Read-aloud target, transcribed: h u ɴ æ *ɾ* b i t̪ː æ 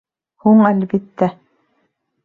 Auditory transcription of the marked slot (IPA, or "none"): l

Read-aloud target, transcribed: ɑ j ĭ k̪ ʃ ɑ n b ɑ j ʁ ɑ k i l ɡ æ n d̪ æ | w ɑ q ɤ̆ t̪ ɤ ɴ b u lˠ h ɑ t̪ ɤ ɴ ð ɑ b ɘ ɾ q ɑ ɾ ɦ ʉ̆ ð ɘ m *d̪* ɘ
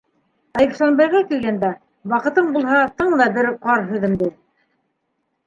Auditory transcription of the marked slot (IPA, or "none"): d̪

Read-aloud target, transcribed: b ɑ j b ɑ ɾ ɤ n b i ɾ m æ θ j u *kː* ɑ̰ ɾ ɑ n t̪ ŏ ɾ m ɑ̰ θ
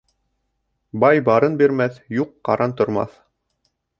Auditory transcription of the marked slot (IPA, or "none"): qː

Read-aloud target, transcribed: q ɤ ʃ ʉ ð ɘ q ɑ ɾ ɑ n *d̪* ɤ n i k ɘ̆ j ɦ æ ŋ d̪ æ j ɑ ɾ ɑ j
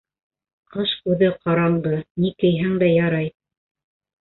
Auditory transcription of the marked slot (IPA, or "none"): d̪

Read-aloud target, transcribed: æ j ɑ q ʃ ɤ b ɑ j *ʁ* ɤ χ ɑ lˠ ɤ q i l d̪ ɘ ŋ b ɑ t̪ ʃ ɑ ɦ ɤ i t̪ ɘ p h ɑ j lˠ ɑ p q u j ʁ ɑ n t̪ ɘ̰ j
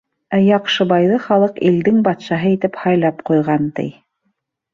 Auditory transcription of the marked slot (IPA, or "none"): ð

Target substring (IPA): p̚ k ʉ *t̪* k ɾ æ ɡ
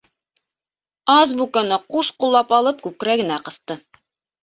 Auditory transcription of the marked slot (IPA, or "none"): none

